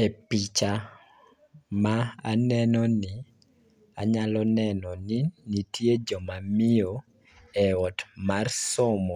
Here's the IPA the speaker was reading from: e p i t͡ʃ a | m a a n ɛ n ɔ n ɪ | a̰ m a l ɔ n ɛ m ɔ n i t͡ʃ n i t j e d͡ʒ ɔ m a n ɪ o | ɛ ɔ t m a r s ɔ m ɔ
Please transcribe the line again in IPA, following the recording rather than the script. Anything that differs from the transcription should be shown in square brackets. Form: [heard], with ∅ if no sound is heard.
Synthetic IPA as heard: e p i t͡ʃ a | m a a n ɛ n ɔ n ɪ | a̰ [ɲ] a l ɔ n ɛ [n] ɔ n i [∅] n i t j e d͡ʒ ɔ m a [m] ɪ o | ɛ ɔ t m a r s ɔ m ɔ